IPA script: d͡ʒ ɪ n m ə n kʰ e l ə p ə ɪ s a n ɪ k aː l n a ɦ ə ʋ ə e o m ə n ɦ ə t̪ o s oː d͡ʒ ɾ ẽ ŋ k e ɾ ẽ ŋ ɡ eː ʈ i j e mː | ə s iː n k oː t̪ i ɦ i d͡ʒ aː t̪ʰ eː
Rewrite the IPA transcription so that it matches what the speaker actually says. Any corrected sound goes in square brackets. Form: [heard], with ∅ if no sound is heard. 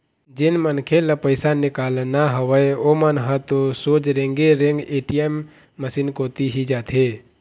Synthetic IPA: d͡ʒ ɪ n m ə n kʰ e l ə p ə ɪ s a n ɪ k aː l n a ɦ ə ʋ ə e o m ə n ɦ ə t̪ o s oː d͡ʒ ɾ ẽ ŋ [ɡ] e ɾ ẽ ŋ ɡ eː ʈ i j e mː | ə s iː n k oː t̪ i ɦ i d͡ʒ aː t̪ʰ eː

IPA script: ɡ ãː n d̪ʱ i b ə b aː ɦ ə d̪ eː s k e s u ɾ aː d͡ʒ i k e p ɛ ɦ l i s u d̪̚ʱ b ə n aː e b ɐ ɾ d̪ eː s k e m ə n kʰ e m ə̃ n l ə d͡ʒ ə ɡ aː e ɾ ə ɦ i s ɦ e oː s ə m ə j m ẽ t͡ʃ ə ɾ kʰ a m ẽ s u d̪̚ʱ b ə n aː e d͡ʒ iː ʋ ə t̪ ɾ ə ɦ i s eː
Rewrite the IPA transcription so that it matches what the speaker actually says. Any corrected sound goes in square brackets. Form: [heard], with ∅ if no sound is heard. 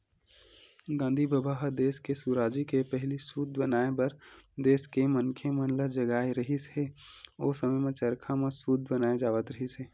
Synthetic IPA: ɡ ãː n d̪ʱ i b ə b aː ɦ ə d̪ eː s k e s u ɾ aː d͡ʒ i k e p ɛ ɦ l i s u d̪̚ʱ b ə n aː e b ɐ ɾ d̪ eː s k e m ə n kʰ e m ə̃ n l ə d͡ʒ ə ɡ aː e ɾ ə ɦ i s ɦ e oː s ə m ə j m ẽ t͡ʃ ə ɾ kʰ a m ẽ s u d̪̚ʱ b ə n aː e d͡ʒ [aː] ʋ ə t̪ ɾ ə ɦ i s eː

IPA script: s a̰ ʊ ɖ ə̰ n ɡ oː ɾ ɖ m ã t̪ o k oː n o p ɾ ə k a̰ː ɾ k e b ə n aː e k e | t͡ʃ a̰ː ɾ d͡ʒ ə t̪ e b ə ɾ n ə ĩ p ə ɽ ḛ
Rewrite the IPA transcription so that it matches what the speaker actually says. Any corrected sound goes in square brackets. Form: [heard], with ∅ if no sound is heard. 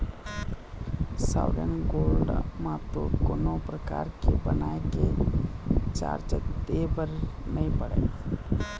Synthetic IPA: s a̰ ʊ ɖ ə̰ n ɡ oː [l] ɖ m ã t̪ o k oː n o p ɾ ə k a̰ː ɾ k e b ə n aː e k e | t͡ʃ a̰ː ɾ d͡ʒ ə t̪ e b ə ɾ n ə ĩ p ə ɽ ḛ

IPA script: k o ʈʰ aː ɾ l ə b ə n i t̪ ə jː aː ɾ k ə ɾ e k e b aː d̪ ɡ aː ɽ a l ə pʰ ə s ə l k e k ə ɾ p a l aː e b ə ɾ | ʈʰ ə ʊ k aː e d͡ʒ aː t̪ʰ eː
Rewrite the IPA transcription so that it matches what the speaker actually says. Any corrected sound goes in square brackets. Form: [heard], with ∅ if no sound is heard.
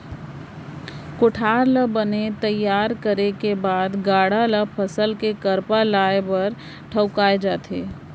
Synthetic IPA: k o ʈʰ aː ɾ l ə b ə n [e] t̪ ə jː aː ɾ k ə ɾ e k e b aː d̪ ɡ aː ɽ a l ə pʰ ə s ə l k e k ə ɾ p a l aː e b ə ɾ | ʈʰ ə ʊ k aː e d͡ʒ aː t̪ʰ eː

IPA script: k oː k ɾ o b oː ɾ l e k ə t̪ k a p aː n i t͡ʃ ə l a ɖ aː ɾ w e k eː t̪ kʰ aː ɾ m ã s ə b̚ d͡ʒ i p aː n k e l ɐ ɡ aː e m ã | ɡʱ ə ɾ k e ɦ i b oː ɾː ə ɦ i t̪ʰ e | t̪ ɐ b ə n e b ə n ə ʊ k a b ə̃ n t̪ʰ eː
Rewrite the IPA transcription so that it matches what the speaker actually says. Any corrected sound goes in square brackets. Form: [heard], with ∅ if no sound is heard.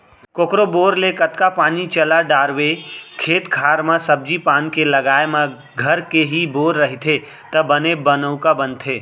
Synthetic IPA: k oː k ɾ o b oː ɾ l e k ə t̪ k a p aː n i t͡ʃ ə l a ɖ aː ɾ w e [kʰ] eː t̪ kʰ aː ɾ m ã s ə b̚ d͡ʒ i p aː n k e l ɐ ɡ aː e m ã | ɡʱ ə ɾ k e ɦ i b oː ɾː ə ɦ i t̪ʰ e | t̪ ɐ b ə n e b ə n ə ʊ k a b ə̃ n t̪ʰ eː

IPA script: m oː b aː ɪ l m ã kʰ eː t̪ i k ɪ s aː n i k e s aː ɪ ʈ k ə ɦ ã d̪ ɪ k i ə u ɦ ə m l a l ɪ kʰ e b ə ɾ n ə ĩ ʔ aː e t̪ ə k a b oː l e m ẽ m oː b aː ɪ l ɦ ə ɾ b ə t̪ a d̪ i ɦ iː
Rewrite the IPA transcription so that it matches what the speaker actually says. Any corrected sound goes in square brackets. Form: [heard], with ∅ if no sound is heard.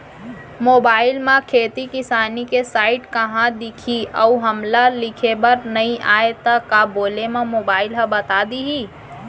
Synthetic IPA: m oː b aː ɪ l m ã kʰ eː t̪ i k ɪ s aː n i k e s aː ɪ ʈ k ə ɦ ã d̪ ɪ [kʰ] i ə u ɦ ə m l a l ɪ kʰ e b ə ɾ n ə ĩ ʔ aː e t̪ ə k a b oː l e m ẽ m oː b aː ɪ l ɦ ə [∅] b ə t̪ a d̪ i ɦ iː

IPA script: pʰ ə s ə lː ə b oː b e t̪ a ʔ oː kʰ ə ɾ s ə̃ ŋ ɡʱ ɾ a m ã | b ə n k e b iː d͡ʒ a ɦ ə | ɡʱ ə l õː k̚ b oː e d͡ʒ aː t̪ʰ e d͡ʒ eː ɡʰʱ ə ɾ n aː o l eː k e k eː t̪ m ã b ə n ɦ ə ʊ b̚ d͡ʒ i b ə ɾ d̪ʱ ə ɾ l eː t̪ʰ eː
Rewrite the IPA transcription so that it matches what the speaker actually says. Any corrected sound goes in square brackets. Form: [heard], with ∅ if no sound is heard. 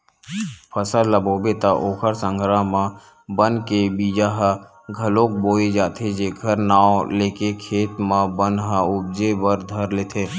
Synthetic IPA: pʰ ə s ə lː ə b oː b e t̪ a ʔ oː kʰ ə ɾ s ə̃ ŋ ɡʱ ɾ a m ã | b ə n k e b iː d͡ʒ a ɦ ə | ɡʱ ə l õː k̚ b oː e d͡ʒ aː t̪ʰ e d͡ʒ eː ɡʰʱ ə ɾ n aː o l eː k e [kʰ] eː t̪ m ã b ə n ɦ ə ʊ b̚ d͡ʒ [e] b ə ɾ d̪ʱ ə ɾ l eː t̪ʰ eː

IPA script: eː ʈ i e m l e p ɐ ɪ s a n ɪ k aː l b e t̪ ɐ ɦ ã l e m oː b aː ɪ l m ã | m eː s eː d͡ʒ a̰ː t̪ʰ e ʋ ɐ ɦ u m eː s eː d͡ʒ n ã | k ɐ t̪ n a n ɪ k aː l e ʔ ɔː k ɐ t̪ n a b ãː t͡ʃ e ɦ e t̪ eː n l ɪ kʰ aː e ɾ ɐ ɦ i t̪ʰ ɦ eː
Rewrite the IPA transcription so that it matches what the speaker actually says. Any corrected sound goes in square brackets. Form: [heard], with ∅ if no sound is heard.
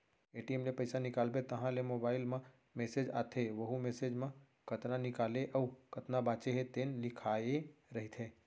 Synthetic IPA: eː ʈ i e m l e p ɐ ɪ s a n ɪ k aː l b e t̪ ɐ ɦ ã l e m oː b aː ɪ l m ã | m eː s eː d͡ʒ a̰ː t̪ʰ e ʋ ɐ ɦ u m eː s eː d͡ʒ [m] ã | k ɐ t̪ n a n ɪ k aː l e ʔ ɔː k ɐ t̪ n a b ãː t͡ʃ e ɦ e t̪ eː n l ɪ kʰ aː e ɾ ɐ ɦ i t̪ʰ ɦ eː

